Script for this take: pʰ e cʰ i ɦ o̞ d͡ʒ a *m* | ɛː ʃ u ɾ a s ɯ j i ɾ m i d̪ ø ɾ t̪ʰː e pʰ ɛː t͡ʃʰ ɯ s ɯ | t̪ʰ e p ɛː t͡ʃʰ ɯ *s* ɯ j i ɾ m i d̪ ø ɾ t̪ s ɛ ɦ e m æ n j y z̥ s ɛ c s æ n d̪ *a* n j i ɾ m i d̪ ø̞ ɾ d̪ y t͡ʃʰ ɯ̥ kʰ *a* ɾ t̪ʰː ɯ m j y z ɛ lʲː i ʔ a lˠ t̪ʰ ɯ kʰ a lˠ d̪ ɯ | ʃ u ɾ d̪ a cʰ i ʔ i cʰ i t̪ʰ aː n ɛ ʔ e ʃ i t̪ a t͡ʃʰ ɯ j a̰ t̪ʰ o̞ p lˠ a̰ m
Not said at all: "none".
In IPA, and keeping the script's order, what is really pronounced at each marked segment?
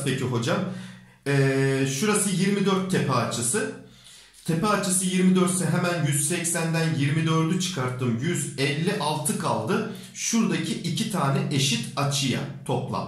m, s, æ, a

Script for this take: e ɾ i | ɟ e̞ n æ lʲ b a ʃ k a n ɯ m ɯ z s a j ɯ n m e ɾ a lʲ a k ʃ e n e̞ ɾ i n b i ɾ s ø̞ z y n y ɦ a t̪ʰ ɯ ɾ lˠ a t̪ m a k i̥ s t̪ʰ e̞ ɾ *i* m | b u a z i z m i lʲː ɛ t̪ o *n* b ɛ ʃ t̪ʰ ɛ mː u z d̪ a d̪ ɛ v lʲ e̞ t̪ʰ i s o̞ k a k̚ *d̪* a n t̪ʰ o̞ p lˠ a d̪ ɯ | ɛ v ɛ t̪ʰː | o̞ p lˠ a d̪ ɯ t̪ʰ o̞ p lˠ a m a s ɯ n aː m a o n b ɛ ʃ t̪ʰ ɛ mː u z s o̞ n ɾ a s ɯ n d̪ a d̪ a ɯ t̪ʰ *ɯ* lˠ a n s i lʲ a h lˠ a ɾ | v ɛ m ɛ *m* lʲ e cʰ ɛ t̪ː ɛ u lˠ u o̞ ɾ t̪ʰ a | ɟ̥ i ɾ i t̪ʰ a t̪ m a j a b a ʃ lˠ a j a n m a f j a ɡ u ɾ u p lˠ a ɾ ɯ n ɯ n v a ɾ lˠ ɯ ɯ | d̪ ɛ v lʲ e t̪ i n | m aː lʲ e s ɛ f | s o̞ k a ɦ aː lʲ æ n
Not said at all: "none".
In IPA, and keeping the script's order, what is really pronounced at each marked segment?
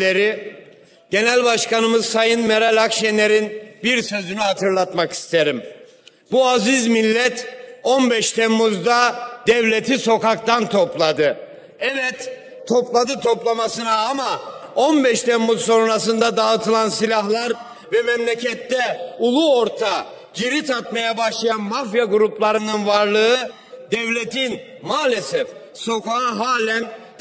i, n, t̪, ɯ, m

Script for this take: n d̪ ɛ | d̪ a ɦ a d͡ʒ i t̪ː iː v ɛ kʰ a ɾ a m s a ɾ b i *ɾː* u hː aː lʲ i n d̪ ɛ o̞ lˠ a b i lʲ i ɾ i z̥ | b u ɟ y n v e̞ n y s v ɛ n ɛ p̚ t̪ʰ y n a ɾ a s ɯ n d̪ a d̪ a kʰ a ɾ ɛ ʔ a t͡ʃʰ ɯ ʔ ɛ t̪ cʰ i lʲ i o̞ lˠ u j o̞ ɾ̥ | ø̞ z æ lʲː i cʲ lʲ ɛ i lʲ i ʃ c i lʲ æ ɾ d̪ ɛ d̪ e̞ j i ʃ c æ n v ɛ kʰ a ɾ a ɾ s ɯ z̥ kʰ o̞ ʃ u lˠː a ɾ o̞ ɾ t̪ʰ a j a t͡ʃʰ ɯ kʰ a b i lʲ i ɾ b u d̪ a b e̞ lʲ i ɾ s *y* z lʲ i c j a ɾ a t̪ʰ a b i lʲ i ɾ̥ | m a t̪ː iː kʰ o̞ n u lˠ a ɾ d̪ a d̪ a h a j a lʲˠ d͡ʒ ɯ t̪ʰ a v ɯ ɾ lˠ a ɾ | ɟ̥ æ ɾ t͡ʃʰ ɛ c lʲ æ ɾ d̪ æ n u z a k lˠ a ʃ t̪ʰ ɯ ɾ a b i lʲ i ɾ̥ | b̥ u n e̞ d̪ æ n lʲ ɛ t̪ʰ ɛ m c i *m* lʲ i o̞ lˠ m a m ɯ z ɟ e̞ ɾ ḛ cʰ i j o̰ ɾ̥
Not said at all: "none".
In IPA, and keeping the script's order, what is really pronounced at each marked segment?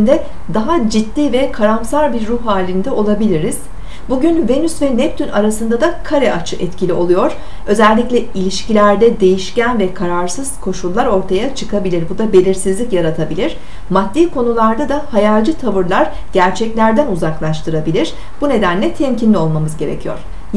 ɾː, i, n

